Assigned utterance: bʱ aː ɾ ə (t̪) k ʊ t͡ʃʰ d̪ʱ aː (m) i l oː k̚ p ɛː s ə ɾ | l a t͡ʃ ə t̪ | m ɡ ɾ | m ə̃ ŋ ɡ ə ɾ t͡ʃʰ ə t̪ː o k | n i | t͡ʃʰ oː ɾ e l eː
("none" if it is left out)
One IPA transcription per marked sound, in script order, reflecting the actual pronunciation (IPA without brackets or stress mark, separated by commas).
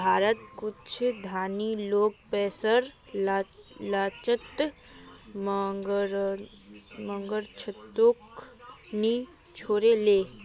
t̪, n